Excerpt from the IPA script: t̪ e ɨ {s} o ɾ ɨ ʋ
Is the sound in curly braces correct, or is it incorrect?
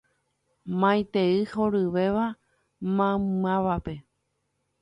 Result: incorrect